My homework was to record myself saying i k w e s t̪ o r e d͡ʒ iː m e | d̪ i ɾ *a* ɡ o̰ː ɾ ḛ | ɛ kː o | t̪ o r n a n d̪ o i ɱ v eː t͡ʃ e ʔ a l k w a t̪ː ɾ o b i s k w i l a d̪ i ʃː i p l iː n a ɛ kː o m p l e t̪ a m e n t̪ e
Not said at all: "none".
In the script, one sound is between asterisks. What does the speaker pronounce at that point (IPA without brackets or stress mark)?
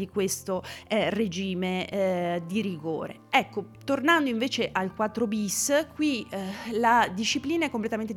i